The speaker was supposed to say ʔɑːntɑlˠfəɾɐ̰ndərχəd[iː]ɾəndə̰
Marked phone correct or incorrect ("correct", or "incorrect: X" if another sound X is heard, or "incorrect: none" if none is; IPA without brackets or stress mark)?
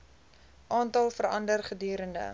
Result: incorrect: yː